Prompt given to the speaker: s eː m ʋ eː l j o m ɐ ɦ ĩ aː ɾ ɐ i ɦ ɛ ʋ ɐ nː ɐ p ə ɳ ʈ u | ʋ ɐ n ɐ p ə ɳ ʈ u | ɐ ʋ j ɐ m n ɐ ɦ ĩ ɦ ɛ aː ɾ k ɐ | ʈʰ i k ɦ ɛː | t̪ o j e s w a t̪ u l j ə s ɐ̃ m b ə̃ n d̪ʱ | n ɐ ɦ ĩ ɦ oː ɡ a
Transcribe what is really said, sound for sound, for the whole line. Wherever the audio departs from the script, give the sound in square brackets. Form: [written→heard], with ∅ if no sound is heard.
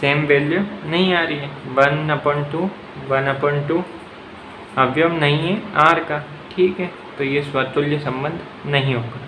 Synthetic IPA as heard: s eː m ʋ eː l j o [m→n] ɐ ɦ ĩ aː ɾ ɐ i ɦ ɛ ʋ ɐ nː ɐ p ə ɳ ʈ u | ʋ ɐ n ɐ p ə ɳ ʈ u | ɐ ʋ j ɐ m n ɐ ɦ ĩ ɦ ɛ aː ɾ k [ɐ→a] | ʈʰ [i→iː] k ɦ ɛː | t̪ o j e s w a t̪ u l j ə s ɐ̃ m b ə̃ n d̪ʱ | n ɐ ɦ ĩ ɦ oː ɡ a